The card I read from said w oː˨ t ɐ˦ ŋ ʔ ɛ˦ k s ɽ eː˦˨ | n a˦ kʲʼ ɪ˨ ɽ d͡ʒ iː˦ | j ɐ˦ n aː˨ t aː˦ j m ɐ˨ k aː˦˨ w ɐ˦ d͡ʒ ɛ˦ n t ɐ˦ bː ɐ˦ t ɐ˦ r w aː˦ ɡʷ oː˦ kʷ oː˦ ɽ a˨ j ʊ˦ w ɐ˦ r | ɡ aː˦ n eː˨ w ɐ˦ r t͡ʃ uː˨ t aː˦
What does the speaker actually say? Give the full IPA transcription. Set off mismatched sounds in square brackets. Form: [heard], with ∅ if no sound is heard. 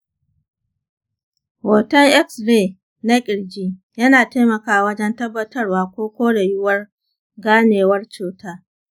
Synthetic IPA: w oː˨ t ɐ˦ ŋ ʔ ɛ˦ k s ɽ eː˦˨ | n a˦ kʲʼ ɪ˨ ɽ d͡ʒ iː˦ | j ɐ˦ n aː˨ t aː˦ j m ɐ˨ k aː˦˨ w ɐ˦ d͡ʒ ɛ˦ n t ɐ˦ bː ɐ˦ t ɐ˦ r w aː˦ [kʷ] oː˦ kʷ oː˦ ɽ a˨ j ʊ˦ w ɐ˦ r | ɡ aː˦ n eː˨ w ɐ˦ r t͡ʃ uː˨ t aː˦